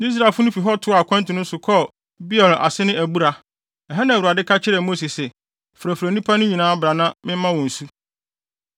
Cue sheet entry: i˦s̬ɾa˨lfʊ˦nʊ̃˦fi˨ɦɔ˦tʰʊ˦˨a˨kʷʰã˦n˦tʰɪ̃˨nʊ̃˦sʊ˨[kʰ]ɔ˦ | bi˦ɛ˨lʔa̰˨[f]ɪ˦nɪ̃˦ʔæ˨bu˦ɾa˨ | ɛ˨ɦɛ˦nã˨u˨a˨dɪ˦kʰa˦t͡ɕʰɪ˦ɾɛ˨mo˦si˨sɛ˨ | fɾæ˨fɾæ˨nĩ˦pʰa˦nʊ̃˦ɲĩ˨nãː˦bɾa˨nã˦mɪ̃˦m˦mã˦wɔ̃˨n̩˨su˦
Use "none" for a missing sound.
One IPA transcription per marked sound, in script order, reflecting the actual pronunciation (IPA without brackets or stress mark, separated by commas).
kʰ, s